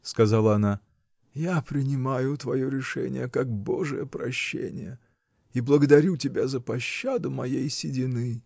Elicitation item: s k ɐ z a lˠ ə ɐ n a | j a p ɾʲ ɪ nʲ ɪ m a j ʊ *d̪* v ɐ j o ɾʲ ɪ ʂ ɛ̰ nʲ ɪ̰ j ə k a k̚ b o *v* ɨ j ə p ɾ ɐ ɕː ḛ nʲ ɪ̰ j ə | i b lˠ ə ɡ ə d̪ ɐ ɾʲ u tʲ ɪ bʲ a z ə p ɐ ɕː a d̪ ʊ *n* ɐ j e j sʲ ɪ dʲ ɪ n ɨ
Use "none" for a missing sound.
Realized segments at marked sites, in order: t̪, ʐ, m

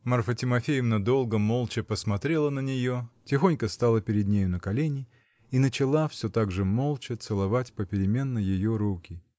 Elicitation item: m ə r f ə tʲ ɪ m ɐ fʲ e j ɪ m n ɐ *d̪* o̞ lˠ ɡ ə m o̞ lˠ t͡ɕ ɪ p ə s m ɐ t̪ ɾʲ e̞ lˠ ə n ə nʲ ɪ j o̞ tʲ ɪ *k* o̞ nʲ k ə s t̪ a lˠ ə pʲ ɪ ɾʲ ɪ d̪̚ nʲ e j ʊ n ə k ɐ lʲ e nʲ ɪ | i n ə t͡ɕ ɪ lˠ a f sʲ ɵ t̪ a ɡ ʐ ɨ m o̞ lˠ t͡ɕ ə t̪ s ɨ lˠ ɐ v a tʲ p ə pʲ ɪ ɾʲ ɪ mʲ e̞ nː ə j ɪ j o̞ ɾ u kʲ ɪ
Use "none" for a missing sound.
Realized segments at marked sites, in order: d̪, x

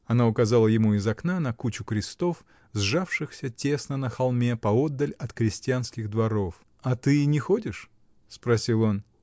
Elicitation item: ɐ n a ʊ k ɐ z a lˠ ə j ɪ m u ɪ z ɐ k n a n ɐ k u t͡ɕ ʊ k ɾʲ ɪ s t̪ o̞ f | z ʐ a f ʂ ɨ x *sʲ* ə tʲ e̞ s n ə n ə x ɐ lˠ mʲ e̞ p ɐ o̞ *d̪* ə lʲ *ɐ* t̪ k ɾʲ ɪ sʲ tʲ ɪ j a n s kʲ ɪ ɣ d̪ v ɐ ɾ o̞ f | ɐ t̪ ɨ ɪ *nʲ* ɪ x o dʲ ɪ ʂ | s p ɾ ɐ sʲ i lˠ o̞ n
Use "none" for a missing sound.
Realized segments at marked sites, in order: sʲ, d̪ː, ɐ, nʲ

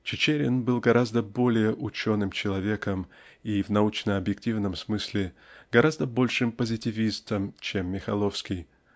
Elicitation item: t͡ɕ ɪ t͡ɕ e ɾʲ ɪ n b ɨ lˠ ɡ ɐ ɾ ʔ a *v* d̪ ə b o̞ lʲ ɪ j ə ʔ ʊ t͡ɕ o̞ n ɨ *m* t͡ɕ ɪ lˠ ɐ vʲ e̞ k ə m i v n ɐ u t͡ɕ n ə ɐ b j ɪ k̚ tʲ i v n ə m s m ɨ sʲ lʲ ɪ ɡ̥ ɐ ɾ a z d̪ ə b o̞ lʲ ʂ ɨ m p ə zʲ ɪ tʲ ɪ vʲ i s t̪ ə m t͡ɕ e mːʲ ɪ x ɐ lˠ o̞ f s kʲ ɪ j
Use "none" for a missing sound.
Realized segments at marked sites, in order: z, m

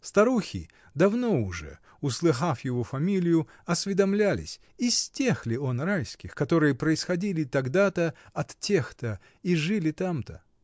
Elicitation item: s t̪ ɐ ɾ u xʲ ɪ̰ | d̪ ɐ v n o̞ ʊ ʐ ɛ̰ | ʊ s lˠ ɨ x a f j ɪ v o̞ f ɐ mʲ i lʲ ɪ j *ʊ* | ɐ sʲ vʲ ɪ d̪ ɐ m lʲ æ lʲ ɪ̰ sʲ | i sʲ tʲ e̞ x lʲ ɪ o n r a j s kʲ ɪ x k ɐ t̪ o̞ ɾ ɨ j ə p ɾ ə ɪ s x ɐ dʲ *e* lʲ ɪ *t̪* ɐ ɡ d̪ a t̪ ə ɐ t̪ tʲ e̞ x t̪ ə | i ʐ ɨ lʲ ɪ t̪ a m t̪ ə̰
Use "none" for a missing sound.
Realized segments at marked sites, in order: ʊ, i, t̪

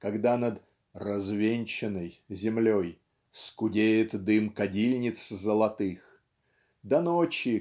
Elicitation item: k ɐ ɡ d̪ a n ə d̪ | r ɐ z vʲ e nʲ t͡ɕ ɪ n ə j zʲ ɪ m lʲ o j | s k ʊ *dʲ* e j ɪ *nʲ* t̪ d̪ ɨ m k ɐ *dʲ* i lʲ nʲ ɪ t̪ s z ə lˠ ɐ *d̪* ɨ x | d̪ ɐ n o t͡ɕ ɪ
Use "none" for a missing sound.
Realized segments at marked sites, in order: dʲ, none, dʲ, t̪

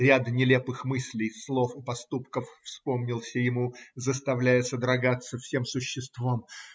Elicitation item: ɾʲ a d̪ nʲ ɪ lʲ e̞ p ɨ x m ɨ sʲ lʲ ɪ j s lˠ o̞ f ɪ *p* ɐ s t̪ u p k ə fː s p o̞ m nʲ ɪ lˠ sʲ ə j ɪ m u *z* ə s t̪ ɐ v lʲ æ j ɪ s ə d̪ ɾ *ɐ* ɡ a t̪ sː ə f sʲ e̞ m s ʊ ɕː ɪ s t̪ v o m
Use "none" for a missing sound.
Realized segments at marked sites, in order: p, z, ɐ

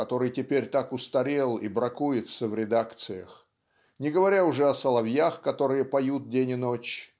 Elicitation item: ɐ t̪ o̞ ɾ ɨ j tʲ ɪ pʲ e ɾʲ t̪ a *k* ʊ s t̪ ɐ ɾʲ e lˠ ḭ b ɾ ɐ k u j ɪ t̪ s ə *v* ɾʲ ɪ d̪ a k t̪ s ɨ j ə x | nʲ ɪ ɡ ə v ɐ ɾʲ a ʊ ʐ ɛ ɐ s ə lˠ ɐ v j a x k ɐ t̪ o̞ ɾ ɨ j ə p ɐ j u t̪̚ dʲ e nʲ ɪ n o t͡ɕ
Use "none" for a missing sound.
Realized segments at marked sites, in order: k, v

